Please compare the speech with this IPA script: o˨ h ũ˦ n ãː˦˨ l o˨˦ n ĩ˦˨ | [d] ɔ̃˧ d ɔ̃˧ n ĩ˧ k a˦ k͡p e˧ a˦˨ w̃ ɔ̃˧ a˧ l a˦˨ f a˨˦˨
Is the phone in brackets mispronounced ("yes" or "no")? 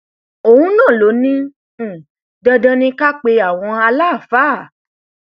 no